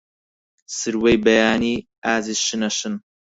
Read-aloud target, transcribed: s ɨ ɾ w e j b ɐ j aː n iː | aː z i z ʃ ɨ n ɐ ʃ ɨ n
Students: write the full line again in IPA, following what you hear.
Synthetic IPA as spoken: s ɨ ɾ w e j b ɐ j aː n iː | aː z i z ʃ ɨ n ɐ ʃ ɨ n